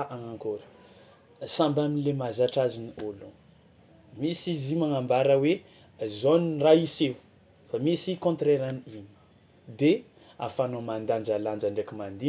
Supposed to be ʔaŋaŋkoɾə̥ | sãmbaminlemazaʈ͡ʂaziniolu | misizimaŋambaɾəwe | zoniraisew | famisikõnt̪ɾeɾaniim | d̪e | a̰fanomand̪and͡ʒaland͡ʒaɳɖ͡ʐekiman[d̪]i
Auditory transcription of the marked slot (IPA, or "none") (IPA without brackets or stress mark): d̪